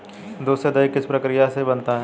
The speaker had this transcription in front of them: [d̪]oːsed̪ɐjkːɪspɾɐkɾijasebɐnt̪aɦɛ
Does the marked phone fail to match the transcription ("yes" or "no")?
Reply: no